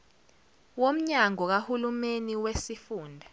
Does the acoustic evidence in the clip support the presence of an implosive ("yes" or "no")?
no